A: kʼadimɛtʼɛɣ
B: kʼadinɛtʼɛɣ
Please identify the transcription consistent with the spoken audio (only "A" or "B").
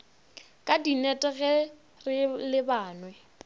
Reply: B